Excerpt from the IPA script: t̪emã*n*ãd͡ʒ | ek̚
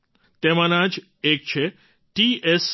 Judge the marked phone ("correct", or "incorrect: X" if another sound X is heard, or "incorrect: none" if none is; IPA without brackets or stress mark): correct